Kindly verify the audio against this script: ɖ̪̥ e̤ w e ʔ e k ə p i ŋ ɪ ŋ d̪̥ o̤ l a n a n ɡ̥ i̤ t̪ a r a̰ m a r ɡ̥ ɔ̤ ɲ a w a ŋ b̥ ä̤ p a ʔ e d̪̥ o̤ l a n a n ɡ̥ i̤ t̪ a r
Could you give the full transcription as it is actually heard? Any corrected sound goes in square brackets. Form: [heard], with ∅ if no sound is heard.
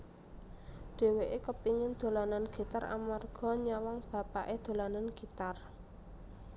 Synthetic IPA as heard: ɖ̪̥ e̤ w e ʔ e k ə p i ŋ ɪ [n] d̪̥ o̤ l a n a n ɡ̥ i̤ t̪ a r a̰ m a r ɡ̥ ɔ̤ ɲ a w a ŋ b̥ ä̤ p a ʔ e d̪̥ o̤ l a n a n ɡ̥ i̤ t̪ a r